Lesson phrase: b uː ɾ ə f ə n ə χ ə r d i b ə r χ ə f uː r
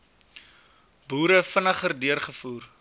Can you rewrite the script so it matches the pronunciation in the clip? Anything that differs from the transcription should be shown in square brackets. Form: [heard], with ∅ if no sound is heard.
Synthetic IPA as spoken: b uː ɾ ə f ə n ə χ ə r d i [∅] ə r χ ə f uː r